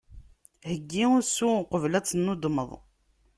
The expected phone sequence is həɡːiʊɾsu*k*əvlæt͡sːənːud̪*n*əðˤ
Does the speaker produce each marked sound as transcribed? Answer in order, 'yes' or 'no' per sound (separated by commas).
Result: no, no